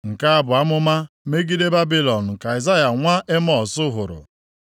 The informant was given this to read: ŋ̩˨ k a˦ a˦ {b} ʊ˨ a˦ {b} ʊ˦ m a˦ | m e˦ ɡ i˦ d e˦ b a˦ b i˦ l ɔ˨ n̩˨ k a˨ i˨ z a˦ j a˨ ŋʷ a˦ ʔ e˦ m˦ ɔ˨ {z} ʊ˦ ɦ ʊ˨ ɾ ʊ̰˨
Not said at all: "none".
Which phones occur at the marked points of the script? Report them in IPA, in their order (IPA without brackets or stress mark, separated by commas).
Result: b, m, s